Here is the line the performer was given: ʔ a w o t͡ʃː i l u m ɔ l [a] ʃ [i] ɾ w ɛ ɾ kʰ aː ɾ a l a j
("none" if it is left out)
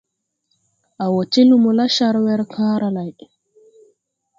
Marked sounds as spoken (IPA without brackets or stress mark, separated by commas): a, a